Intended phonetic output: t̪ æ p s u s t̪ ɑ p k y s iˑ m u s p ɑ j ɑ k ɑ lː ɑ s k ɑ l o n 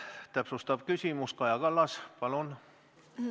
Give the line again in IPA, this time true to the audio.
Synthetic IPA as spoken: t̪ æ p s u s t̪ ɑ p k y s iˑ m u s k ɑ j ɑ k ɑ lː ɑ s p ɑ l o n